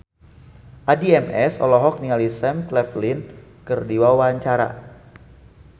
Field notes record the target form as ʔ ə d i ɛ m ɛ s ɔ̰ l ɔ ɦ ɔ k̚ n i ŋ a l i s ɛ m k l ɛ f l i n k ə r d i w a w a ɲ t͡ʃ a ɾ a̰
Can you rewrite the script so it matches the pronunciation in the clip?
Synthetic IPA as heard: ʔ a d i ɛ m ɛ s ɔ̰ l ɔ ɦ ɔ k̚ n i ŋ a l i s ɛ m k l ɛ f l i n k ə r d i w a w a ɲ t͡ʃ a ɾ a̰